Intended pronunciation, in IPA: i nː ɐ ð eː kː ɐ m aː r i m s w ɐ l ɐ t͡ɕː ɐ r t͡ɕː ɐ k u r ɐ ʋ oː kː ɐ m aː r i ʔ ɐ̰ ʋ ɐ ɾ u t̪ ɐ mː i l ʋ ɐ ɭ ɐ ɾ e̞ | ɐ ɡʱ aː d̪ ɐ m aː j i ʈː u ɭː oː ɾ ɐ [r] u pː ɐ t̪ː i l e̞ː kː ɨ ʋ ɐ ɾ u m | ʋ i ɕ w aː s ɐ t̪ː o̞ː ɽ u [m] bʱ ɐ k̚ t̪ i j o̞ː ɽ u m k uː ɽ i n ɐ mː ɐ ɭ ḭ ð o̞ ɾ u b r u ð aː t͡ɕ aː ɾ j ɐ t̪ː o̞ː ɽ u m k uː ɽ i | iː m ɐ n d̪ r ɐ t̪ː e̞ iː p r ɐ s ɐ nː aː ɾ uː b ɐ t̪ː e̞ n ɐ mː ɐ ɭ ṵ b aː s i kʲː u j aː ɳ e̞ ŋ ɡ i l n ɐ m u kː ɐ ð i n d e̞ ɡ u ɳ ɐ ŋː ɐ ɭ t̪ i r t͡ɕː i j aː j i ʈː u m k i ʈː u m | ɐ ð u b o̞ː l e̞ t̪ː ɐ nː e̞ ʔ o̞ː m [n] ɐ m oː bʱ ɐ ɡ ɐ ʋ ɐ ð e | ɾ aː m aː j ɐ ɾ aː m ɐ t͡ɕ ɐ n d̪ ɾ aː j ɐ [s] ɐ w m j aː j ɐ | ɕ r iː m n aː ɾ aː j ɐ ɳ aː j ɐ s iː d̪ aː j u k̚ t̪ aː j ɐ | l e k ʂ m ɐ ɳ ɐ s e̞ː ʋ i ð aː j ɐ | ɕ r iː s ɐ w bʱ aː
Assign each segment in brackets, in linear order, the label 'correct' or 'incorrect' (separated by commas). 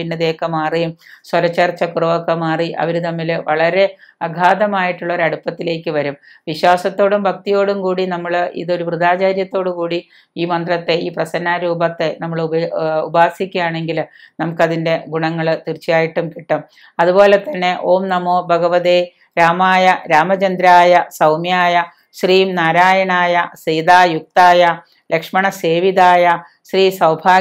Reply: incorrect, correct, correct, correct